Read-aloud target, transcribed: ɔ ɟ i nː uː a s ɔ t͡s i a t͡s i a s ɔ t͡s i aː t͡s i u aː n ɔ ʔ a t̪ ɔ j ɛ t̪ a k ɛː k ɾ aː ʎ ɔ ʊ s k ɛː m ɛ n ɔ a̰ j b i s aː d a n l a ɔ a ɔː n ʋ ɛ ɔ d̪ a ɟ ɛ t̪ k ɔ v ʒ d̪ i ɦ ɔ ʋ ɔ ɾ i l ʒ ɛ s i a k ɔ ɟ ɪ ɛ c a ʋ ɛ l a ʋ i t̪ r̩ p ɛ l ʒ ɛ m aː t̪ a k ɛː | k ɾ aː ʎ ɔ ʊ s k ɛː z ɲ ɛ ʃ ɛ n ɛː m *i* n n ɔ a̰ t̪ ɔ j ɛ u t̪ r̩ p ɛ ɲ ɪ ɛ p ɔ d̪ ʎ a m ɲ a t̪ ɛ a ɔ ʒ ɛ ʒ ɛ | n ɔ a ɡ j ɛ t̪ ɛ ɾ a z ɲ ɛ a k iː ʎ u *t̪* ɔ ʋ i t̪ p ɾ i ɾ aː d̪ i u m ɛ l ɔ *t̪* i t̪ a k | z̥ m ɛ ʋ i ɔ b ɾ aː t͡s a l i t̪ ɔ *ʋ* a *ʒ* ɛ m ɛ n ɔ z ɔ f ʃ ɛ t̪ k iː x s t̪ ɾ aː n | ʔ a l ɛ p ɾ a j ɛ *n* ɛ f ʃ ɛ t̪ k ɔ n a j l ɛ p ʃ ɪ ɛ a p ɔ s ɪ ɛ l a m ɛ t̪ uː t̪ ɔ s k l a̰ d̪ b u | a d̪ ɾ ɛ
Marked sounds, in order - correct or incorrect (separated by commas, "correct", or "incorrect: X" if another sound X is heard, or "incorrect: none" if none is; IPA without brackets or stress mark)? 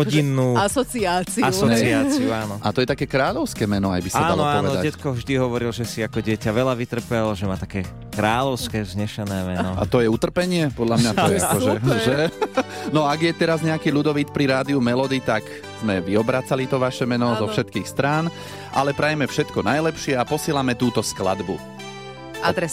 incorrect: ɛ, incorrect: d̪, incorrect: d̪, correct, incorrect: ʃ, incorrect: m